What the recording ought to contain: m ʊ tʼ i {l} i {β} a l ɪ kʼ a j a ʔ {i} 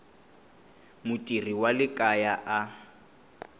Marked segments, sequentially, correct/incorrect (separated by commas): incorrect, incorrect, incorrect